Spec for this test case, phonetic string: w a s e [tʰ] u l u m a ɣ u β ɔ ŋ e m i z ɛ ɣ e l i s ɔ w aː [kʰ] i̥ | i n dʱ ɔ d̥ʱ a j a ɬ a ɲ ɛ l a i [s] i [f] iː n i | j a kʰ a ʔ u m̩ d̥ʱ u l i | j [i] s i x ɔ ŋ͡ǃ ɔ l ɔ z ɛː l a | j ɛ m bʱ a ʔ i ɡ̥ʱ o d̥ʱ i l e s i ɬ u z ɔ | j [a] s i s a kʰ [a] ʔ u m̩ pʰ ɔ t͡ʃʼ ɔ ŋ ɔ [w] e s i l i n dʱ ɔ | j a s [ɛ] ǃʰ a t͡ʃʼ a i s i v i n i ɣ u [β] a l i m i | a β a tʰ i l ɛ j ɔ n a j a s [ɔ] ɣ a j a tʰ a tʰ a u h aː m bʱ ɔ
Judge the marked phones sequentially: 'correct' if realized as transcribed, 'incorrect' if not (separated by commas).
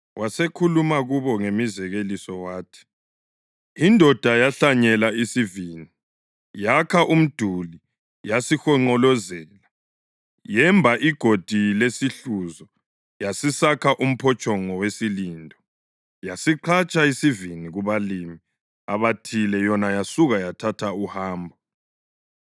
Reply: incorrect, incorrect, correct, incorrect, incorrect, correct, correct, correct, incorrect, correct, incorrect